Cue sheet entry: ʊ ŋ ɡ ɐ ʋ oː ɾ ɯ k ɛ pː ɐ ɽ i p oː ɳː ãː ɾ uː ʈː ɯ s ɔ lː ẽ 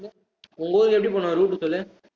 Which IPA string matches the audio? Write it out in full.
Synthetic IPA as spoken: ʊ ŋ ɡ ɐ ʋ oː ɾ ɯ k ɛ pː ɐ ɽ i p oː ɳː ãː ɾ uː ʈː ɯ s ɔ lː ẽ